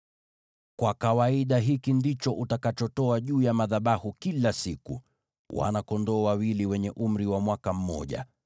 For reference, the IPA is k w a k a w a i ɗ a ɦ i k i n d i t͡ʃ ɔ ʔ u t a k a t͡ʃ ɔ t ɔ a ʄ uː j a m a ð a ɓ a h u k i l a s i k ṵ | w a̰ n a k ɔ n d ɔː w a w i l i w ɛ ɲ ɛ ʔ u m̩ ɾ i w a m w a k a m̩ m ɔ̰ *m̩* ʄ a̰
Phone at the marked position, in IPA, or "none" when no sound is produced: none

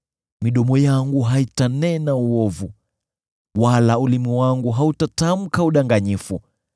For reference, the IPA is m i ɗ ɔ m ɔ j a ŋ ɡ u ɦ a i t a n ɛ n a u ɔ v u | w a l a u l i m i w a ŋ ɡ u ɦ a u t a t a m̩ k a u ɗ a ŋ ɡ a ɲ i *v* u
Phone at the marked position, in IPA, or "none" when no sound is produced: f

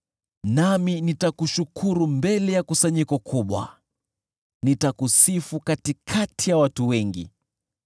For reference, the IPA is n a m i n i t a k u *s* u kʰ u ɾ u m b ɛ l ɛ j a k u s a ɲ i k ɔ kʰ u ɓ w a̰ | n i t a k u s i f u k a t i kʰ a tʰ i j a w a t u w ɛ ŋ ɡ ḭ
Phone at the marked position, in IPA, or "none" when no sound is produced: ʃ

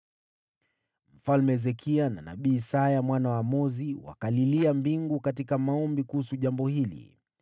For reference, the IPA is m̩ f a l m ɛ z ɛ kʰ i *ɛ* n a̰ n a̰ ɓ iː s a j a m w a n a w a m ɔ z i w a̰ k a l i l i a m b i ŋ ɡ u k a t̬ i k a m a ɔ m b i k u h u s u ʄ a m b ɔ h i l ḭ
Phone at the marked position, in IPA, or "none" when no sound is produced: a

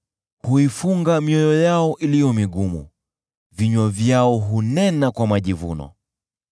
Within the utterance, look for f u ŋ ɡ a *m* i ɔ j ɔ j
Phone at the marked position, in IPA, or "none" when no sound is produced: m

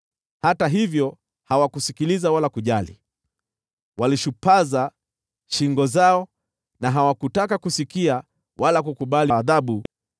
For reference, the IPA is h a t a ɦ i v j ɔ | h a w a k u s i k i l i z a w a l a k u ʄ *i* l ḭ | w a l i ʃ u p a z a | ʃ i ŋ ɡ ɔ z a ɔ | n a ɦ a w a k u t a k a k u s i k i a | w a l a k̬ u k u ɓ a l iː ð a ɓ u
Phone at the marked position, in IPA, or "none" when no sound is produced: a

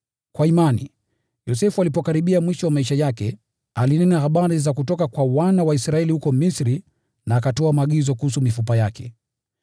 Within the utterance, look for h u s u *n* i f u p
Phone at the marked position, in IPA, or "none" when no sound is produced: m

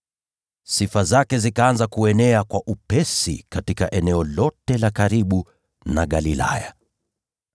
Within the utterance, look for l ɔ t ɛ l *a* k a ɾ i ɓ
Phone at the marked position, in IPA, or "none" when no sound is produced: a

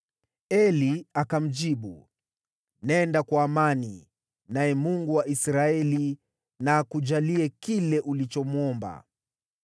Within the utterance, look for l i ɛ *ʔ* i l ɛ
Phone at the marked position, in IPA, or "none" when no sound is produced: k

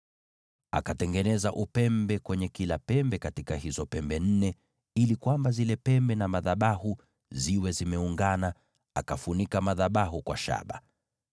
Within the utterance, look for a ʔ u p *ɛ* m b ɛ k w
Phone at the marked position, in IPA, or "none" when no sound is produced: ɛ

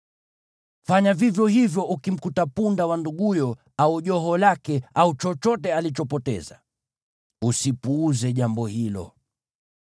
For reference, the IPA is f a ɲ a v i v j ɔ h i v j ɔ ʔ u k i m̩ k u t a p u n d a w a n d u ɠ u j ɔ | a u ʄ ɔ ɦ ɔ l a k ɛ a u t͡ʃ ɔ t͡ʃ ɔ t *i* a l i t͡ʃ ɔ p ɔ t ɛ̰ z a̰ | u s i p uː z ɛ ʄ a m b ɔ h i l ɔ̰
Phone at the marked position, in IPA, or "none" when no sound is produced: ɛ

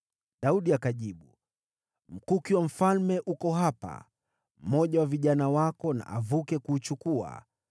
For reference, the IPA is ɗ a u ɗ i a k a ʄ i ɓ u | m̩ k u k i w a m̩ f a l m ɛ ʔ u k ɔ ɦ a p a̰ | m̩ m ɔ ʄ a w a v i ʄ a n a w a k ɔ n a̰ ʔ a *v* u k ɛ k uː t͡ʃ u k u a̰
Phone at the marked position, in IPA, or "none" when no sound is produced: v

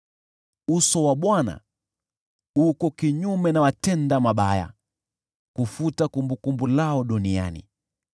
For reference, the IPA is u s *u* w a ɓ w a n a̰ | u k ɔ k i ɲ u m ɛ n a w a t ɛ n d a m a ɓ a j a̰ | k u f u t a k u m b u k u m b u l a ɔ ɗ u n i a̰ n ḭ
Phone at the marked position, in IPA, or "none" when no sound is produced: ɔ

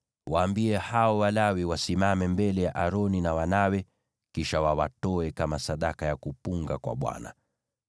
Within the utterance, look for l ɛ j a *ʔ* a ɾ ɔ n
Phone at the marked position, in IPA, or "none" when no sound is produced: ʔ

